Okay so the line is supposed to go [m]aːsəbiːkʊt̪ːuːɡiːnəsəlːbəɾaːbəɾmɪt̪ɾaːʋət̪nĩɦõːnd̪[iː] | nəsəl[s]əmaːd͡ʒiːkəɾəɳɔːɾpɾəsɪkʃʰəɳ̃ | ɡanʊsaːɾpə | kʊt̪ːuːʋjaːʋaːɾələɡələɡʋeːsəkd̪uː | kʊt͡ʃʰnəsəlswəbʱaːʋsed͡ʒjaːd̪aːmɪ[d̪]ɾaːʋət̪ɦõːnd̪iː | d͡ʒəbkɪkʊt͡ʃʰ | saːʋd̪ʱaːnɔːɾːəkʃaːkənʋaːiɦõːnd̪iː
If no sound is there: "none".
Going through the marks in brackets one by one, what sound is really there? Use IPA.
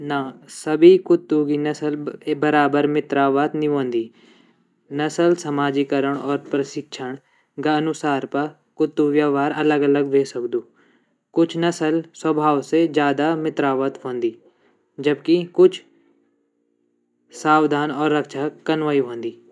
n, iː, s, t̪

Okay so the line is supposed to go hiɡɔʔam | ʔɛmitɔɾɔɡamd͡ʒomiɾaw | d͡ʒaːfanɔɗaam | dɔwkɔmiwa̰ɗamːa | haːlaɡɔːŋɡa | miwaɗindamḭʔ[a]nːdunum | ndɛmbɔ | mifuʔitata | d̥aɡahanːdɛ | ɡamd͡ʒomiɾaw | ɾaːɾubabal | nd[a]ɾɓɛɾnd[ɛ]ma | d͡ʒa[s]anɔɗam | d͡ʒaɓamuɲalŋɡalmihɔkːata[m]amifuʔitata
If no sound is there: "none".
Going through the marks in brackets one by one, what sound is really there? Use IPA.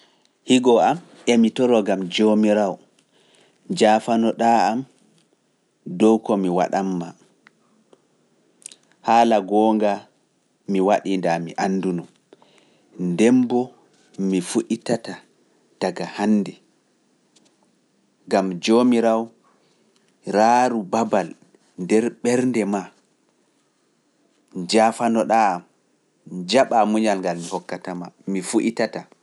a, ɛ, ɛ, f, m

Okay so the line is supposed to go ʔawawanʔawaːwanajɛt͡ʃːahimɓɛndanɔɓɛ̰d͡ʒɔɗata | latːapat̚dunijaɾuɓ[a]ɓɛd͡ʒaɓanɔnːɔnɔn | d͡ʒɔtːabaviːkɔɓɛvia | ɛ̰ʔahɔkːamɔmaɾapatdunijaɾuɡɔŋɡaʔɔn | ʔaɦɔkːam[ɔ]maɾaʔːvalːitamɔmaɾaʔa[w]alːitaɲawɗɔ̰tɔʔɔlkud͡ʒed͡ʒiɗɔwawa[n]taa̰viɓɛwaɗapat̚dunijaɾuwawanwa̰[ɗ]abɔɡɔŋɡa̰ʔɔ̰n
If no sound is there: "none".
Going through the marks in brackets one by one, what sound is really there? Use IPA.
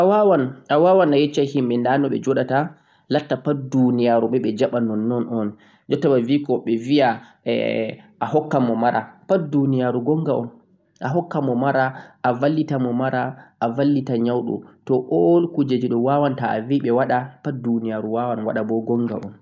ɛ, ɔ, v, n, ɗ

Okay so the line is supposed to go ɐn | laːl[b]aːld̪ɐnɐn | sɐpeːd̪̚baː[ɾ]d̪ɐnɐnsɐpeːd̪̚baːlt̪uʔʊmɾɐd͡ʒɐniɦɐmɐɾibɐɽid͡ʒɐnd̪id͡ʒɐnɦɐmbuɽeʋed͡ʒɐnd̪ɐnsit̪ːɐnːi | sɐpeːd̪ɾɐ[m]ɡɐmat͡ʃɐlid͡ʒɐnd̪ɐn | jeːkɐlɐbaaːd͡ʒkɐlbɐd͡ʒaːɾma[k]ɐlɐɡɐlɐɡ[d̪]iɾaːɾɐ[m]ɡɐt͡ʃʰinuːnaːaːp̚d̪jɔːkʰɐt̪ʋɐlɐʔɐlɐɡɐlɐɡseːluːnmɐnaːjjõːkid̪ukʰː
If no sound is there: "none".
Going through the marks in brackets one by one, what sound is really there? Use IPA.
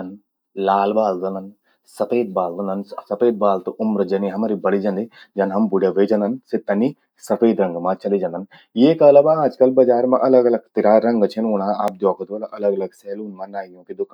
b, l, ŋ, ʔ, t̪, ŋ

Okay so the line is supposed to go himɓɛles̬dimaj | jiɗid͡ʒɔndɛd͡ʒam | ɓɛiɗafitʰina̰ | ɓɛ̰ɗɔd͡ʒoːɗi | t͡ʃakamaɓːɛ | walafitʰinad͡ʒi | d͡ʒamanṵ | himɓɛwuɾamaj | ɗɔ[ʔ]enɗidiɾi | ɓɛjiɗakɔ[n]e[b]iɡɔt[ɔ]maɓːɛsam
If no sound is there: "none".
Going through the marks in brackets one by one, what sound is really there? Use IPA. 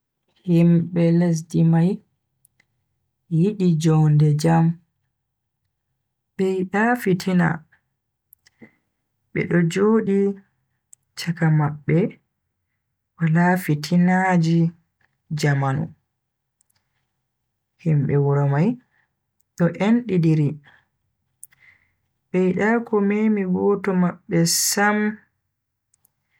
ʔ, m, m, ɔ

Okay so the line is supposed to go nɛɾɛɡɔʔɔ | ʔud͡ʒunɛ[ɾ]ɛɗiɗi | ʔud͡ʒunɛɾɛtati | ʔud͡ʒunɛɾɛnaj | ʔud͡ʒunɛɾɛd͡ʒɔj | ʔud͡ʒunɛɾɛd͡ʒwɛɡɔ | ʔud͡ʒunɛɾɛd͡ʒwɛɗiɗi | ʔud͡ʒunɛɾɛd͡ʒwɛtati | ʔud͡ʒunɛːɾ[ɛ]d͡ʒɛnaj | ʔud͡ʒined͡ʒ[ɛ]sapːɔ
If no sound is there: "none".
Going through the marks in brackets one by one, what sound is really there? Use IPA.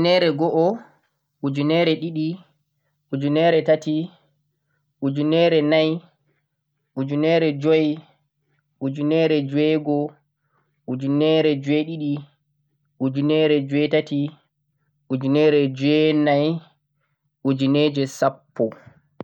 ɾ, ɛ, ɛ

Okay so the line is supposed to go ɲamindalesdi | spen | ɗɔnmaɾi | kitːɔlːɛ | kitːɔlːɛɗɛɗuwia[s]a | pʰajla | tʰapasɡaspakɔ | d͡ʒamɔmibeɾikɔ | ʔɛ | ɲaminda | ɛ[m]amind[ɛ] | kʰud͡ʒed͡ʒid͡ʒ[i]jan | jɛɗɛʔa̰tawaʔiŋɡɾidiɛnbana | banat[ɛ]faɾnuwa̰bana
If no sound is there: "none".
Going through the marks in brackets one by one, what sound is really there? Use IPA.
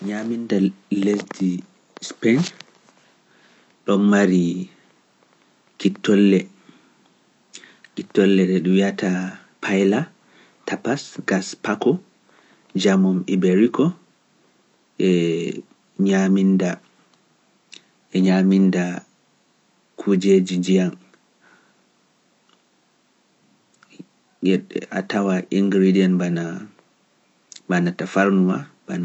t, ɲ, a, i, a

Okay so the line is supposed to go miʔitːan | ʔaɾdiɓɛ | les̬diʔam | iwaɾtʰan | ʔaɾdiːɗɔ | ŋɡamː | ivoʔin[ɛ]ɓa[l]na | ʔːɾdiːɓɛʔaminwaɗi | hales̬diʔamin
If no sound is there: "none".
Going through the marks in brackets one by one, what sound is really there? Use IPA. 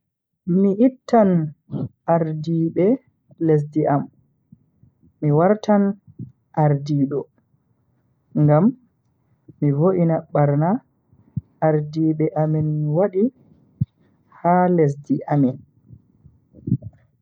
a, ɾ

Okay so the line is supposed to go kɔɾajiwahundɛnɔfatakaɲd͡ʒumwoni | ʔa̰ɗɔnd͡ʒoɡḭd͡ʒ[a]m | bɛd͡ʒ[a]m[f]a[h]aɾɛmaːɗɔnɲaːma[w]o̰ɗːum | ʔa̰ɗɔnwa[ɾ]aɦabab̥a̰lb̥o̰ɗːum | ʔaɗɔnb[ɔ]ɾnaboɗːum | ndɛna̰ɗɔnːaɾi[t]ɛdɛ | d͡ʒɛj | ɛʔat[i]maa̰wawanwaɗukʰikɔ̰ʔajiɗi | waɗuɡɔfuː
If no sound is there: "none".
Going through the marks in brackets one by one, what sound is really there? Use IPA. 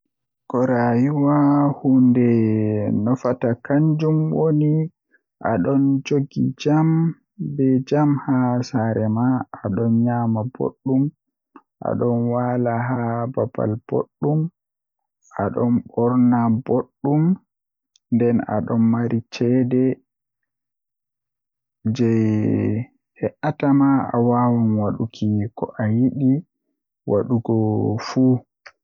a, a, h, s, b, l, ɔ, t͡ʃ, a

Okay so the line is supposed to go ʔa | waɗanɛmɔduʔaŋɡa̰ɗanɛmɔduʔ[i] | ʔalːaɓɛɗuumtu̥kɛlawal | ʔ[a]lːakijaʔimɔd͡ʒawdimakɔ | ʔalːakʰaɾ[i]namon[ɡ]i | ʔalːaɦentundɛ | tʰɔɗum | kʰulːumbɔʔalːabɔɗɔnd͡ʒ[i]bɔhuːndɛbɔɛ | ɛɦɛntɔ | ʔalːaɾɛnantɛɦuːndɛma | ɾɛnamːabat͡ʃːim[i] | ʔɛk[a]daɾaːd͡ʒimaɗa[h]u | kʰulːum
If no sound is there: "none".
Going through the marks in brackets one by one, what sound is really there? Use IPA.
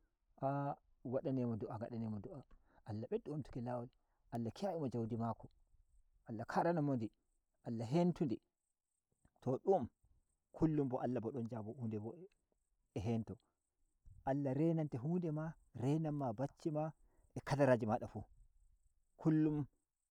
a, a, a, d, a, a, a, f

